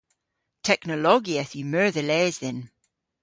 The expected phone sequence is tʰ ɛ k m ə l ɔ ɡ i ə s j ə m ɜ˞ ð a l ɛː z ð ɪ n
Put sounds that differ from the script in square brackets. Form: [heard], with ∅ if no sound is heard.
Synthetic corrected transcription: tʰ ɛ k [n] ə l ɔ ɡ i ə [θ] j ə m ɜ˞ ð [ə] l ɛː z ð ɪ n